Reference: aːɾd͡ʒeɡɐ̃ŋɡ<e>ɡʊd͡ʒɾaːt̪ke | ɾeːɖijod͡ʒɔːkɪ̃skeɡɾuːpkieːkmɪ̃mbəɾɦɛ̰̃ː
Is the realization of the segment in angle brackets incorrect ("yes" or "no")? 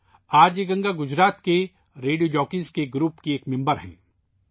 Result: yes